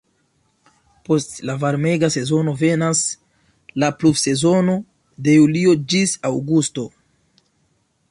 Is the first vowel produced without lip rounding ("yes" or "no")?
no